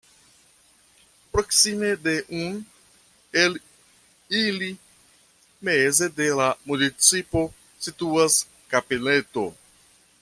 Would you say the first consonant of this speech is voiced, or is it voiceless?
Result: voiceless